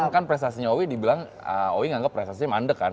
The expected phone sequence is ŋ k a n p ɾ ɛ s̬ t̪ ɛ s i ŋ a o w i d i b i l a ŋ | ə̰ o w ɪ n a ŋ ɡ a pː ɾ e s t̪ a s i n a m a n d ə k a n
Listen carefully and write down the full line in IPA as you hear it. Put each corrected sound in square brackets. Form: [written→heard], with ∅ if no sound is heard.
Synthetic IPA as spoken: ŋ k a n p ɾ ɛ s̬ t̪ [ɛ→a] s i [ŋ→ɲ] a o w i d i b i l a ŋ | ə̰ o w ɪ [n→ŋ] a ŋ ɡ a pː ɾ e s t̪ a s i [n→ɲ] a m a n d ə k a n